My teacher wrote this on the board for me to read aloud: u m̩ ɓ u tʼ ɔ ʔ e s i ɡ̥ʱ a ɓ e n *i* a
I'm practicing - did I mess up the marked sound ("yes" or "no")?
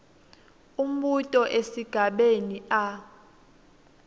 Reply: no